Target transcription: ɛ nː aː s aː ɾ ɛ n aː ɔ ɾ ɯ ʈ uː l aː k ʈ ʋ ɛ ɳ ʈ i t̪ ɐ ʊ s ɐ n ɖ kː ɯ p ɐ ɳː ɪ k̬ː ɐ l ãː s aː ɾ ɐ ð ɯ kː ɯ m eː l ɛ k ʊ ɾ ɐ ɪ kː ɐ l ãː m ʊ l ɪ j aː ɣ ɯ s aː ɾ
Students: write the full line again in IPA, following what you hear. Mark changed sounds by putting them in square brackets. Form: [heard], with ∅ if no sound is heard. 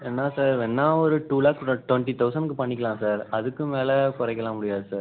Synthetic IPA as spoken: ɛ nː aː s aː ɾ ɛ [nː] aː ɔ ɾ ɯ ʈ uː l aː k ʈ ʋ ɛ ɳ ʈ i t̪ ɐ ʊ s ɐ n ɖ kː ɯ p ɐ ɳː ɪ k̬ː ɐ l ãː s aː ɾ ɐ ð ɯ kː ɯ m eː l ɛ k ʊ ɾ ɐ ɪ kː ɐ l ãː m ʊ [ɽ] ɪ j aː [ð] ɯ s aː ɾ